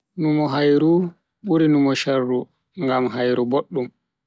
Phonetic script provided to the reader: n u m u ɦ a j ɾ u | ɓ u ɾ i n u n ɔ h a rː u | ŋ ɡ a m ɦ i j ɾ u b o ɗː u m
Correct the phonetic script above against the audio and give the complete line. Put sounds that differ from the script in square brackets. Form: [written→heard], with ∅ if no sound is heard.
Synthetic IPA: n u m [u→ɔ] ɦ a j ɾ u | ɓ u ɾ i n u [n→m] ɔ [h→ʃ] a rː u | ŋ ɡ a m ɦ [i→a] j ɾ u b o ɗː u m